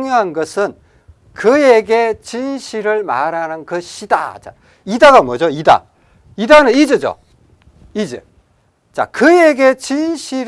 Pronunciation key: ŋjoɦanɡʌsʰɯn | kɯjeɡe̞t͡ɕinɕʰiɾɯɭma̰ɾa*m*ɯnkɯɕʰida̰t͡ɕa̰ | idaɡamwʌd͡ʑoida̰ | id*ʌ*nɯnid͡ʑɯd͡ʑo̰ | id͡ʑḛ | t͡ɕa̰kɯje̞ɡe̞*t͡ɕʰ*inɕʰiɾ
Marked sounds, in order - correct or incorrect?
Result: incorrect: n, incorrect: a, incorrect: t͡ɕ

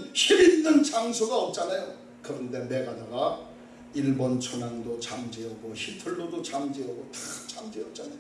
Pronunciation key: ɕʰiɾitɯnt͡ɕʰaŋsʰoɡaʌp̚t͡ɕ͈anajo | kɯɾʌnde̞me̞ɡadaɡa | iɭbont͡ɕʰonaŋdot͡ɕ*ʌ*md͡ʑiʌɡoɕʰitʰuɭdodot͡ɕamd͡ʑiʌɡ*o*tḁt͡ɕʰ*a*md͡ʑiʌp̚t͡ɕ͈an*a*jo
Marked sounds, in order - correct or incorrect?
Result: incorrect: a, correct, correct, correct

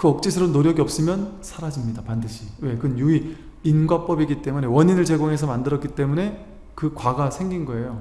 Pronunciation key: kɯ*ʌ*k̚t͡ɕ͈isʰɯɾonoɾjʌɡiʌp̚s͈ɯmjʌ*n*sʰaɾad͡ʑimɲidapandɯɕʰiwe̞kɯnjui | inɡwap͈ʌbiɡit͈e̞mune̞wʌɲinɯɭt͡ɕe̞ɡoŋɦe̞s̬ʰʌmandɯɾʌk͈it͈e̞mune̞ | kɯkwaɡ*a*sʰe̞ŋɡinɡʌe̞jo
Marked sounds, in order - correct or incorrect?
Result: correct, correct, correct

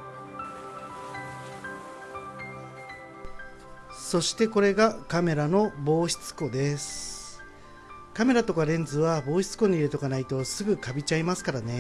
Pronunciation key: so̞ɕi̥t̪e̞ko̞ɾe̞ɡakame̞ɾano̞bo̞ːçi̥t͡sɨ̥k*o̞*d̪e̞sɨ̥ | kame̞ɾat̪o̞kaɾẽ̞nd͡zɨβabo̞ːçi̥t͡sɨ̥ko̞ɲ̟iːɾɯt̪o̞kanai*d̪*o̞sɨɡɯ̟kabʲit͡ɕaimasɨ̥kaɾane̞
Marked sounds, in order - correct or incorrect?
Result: correct, incorrect: t̪

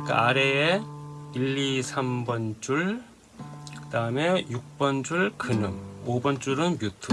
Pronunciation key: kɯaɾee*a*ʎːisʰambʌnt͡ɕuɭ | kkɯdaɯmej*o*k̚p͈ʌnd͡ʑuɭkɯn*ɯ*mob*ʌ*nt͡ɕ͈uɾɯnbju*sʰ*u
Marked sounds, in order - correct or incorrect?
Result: incorrect: i, incorrect: u, correct, correct, incorrect: tʰ

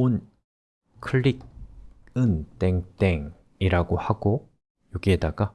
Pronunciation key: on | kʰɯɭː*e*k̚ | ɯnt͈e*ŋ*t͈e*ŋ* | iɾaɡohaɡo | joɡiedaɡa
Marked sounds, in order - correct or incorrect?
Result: incorrect: i, correct, correct

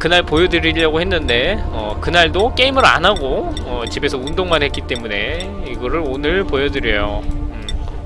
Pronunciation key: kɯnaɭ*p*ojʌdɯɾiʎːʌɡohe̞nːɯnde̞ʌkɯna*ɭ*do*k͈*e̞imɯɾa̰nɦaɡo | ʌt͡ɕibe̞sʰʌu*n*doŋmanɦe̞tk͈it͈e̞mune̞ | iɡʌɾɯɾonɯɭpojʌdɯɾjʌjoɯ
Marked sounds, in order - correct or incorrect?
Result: correct, correct, correct, correct

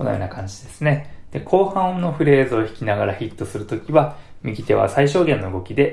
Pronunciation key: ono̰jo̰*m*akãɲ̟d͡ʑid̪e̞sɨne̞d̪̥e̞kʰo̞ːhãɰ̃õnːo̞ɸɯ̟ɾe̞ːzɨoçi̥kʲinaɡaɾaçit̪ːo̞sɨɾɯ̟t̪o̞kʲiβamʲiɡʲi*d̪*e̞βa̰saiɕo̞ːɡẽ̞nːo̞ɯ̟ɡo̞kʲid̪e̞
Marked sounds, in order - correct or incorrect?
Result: incorrect: n, incorrect: t̪

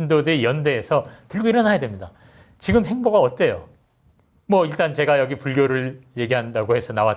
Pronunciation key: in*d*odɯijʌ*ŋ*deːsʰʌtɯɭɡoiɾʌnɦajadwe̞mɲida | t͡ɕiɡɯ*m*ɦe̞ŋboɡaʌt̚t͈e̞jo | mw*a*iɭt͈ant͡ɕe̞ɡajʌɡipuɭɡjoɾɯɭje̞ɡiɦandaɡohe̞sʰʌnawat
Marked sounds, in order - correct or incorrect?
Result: correct, incorrect: n, correct, incorrect: ʌ

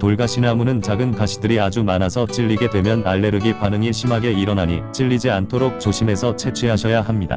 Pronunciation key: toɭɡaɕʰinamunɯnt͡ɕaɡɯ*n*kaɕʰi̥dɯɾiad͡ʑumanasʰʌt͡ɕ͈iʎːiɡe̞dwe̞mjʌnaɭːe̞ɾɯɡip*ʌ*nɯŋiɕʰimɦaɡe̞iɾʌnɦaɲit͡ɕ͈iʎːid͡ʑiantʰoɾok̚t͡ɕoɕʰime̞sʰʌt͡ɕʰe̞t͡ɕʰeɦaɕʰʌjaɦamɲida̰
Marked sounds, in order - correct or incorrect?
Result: correct, incorrect: a

